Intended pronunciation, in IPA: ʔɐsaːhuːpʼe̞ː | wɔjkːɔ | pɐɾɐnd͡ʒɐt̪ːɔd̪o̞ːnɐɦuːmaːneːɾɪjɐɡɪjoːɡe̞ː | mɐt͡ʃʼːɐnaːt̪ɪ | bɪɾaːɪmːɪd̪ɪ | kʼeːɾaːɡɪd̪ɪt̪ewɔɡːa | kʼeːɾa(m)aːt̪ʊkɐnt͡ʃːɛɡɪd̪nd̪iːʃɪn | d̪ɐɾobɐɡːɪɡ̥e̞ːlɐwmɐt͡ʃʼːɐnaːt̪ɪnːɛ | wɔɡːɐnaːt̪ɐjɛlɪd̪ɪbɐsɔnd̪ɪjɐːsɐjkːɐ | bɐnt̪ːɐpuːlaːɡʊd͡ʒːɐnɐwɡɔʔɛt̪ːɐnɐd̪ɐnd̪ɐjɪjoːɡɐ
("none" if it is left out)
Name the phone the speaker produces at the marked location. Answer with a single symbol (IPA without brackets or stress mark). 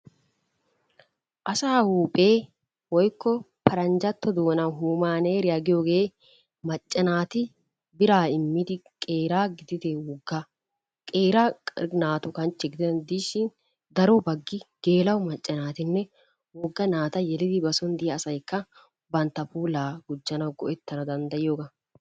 n